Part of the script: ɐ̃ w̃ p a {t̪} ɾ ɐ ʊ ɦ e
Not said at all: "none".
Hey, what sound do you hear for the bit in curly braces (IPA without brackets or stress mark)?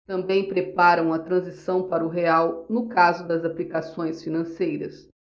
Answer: none